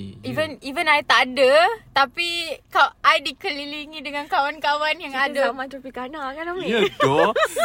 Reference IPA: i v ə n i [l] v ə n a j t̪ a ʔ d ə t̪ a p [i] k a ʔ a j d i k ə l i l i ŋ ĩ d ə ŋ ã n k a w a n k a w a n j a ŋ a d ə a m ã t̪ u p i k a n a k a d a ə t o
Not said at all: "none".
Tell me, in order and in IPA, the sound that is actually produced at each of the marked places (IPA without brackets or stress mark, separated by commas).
none, i